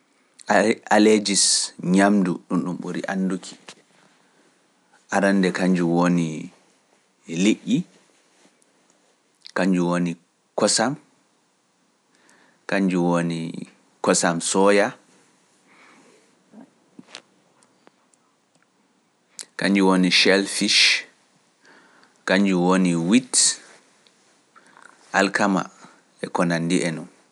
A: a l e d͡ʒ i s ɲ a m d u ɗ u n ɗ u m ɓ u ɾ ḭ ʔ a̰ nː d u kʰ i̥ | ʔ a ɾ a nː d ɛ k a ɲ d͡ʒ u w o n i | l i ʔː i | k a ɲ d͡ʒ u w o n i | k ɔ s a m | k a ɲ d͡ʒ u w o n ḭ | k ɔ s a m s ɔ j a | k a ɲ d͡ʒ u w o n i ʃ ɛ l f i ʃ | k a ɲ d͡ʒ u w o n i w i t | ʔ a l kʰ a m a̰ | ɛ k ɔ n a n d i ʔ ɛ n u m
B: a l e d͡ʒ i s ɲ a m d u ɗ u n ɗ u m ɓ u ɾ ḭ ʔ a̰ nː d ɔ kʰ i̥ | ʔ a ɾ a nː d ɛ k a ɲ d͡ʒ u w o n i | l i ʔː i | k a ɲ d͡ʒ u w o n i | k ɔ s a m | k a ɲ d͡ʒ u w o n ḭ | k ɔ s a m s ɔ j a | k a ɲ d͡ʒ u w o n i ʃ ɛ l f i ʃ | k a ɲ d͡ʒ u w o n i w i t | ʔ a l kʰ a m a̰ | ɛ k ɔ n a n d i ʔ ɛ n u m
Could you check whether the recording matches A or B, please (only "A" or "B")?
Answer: A